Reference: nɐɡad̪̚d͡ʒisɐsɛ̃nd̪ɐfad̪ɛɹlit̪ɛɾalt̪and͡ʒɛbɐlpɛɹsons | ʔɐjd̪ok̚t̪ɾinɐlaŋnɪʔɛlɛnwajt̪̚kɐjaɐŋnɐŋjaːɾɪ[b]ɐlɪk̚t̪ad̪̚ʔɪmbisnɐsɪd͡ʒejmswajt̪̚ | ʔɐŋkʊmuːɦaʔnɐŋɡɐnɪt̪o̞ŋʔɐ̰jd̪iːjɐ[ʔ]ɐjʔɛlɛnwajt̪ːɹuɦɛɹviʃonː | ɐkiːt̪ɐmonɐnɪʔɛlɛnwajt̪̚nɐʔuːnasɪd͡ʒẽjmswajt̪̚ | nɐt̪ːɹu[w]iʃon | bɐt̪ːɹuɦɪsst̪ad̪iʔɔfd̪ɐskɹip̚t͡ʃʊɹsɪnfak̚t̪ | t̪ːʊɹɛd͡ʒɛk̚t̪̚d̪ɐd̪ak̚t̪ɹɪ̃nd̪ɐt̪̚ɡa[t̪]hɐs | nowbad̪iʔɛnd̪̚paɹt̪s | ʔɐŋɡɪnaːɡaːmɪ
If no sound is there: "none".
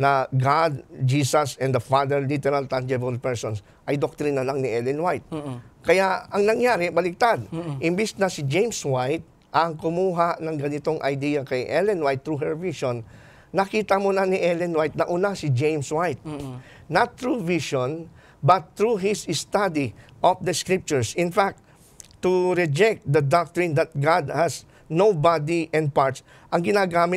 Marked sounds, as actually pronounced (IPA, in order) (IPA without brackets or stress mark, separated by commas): b, k, v, d̪